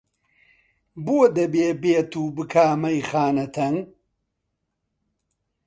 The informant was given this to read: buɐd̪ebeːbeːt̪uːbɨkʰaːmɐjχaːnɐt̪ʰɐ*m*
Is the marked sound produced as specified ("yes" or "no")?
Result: no